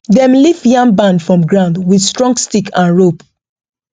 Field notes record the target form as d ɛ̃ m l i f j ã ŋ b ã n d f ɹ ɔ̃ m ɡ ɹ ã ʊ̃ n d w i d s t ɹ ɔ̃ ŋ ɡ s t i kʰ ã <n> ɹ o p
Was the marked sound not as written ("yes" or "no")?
no